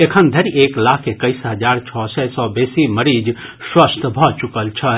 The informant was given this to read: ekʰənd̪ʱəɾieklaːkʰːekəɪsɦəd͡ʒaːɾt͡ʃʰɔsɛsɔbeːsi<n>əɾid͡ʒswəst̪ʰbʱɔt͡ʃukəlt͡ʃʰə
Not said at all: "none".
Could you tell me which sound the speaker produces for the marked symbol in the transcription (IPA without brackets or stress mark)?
m